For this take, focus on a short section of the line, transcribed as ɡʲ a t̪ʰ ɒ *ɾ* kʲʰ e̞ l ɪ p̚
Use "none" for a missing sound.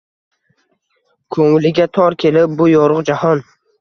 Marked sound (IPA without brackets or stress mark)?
ɾ